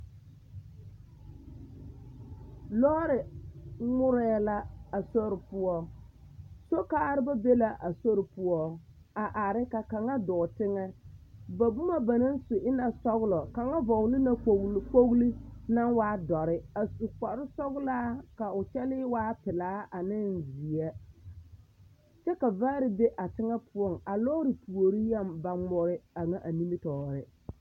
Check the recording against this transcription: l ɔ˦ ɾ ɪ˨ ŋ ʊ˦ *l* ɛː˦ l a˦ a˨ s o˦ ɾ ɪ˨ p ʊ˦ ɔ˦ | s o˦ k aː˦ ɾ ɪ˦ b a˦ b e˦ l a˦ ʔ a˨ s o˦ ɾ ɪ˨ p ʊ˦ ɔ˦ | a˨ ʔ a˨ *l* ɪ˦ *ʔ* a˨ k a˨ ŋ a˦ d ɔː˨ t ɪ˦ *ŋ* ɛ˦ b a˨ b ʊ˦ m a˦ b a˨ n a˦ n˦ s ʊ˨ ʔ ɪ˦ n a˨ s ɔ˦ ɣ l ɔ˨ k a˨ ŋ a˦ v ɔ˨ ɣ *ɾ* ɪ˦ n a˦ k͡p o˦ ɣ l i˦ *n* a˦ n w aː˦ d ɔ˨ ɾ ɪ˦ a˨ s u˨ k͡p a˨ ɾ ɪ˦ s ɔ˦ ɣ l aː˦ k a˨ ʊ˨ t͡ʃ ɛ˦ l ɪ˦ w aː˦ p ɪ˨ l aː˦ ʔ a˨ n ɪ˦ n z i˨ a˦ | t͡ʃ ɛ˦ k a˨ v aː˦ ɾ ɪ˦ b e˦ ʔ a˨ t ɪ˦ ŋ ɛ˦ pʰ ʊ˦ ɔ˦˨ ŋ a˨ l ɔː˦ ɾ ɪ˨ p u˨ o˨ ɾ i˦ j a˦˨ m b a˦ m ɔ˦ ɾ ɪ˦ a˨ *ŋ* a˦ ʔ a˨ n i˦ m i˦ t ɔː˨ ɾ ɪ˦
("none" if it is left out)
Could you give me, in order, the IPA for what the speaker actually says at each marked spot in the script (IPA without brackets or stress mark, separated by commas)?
ɾ, ɾ, k, ŋ, l, n, ŋ